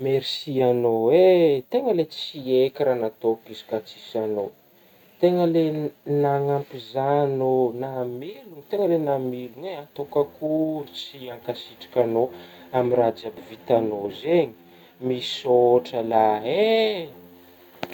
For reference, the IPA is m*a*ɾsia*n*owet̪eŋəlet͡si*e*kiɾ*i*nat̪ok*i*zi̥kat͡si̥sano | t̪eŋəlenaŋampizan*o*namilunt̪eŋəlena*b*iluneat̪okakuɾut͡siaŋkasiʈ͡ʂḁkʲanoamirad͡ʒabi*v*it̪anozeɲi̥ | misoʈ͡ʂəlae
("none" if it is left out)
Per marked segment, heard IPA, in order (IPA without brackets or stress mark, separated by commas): e, n, e, a, i, o, m, v